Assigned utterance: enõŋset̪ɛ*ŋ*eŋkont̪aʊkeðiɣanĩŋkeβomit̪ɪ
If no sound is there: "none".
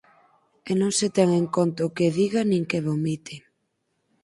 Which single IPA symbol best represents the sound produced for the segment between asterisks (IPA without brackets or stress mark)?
ŋ